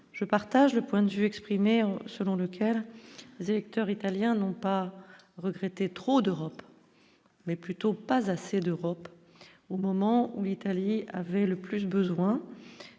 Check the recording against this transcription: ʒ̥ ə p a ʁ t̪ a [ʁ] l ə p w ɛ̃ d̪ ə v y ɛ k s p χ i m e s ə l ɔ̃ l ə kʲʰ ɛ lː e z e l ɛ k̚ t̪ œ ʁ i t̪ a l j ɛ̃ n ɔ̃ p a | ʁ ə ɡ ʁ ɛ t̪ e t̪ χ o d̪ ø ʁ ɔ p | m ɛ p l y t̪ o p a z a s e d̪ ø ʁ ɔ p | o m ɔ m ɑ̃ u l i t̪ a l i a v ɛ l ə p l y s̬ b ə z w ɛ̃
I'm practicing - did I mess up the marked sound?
yes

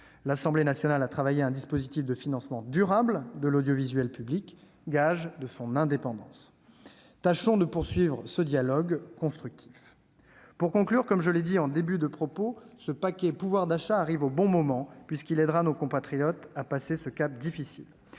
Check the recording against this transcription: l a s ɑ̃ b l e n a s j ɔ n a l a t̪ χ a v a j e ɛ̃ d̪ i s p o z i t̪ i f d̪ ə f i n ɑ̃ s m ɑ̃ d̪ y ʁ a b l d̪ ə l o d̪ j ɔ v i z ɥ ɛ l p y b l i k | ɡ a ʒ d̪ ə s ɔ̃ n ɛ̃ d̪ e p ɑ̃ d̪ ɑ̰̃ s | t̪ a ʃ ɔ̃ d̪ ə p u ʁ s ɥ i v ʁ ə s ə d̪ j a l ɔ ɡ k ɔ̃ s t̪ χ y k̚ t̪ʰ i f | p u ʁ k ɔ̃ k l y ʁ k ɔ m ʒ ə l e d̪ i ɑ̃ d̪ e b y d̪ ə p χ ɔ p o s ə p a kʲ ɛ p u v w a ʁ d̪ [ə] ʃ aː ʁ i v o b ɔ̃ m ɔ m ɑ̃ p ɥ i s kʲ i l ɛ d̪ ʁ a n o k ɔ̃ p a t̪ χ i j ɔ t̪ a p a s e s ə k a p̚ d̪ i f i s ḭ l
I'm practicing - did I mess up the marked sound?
yes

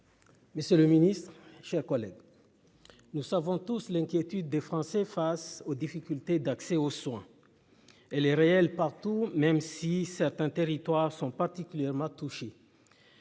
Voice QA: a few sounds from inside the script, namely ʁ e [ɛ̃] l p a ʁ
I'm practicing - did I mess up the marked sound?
yes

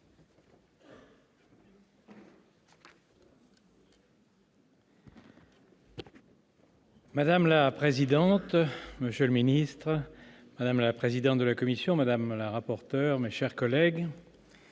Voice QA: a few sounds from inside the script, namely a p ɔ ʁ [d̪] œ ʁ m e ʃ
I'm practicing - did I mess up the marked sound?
yes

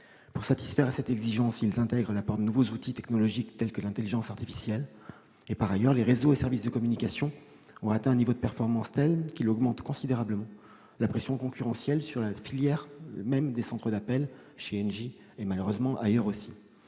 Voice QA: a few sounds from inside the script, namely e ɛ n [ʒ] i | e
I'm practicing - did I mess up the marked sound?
no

